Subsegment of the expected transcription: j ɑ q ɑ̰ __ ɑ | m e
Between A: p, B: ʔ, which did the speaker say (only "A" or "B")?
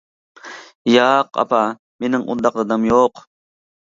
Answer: A